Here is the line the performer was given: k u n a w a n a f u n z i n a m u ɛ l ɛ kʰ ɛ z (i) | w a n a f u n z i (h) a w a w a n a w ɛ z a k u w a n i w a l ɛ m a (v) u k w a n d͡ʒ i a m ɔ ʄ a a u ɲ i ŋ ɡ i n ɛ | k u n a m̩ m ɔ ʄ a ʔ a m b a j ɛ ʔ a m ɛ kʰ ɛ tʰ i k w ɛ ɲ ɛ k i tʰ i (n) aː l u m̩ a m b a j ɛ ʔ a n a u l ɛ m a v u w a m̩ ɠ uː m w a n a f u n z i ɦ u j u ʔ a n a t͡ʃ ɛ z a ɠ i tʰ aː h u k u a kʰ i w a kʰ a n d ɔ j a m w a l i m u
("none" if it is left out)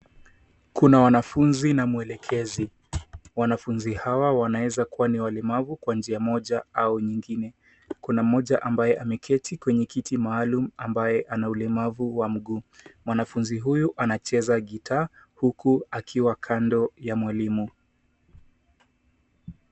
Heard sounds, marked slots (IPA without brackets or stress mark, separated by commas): i, h, v, m